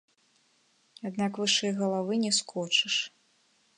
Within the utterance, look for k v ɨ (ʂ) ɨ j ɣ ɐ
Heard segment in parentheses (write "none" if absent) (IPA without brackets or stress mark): ʂ